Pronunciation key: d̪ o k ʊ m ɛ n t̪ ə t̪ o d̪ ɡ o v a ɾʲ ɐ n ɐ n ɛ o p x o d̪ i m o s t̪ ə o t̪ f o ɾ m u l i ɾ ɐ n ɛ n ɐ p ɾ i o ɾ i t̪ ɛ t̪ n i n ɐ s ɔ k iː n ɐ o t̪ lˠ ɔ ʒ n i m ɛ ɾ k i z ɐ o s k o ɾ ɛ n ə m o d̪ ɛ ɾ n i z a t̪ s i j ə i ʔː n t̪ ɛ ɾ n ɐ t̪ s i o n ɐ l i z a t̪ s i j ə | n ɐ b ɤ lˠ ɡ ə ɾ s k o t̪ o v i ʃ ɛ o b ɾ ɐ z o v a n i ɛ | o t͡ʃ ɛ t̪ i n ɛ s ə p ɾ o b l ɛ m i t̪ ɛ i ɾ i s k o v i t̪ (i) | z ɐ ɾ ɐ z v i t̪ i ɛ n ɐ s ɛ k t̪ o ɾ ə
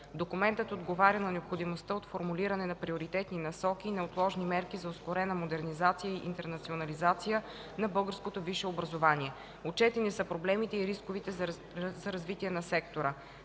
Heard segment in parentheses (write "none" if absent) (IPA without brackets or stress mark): ɛ